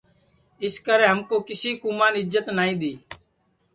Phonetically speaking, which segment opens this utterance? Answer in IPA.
ɪ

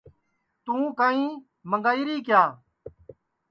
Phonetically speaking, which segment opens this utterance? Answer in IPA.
t̪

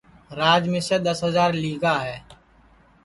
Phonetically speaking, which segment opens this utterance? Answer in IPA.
ɾ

